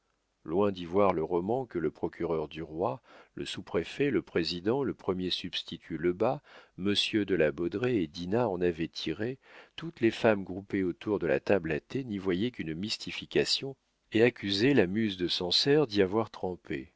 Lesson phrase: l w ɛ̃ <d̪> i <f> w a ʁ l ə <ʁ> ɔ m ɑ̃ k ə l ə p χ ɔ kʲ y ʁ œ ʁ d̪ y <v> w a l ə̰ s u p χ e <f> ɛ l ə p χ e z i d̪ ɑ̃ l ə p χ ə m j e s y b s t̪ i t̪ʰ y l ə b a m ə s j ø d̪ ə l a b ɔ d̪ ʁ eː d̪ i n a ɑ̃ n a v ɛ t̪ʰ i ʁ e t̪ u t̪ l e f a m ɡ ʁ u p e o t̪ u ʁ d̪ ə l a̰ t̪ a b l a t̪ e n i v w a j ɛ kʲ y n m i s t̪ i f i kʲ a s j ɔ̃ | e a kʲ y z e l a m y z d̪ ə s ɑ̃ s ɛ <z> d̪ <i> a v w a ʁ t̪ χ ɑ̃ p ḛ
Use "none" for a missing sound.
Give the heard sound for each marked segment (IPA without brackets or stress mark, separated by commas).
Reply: d̪, v, ʁ, ʁ, f, ʁ, i